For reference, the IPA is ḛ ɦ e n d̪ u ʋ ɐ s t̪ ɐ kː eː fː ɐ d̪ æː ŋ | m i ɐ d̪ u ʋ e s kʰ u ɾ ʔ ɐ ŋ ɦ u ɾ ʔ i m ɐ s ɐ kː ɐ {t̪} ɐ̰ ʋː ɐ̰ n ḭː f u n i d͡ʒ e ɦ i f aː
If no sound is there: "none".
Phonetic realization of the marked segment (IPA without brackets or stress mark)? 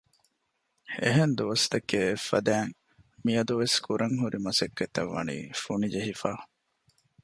t̪